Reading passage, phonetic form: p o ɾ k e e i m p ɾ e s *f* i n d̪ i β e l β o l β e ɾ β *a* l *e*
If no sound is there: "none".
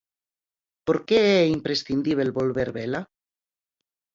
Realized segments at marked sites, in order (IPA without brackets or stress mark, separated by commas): θ, e, a